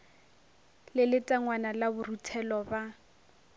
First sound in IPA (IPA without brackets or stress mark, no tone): l